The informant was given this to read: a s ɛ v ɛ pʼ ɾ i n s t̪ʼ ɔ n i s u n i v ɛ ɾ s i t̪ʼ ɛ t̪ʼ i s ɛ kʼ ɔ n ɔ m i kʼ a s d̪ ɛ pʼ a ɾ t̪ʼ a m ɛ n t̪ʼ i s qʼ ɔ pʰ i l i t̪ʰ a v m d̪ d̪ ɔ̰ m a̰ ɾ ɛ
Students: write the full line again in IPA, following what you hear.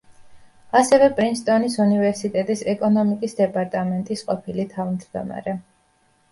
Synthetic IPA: a s ɛ v ɛ pʼ ɾ i n s t̪ʼ ɔ n i s u n i v ɛ ɾ s i t̪ʼ ɛ t̪ʼ i s ɛ kʼ ɔ n ɔ m i kʼ i s d̪ ɛ pʼ a ɾ t̪ʼ a m ɛ n t̪ʼ i s qʼ ɔ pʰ i l i t̪ʰ a v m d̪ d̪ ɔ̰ m a̰ ɾ ɛ